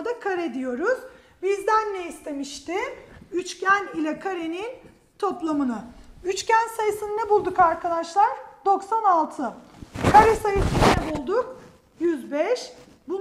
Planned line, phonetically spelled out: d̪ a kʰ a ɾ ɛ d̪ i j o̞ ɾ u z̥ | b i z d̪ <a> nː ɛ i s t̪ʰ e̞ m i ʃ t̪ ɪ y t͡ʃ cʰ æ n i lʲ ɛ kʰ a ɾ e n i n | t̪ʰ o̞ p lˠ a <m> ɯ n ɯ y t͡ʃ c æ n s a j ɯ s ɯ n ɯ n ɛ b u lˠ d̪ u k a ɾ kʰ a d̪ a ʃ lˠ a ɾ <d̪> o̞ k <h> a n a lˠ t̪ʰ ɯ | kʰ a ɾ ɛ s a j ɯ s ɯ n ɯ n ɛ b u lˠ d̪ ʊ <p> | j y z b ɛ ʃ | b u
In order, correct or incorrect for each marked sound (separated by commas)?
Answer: incorrect, correct, correct, incorrect, incorrect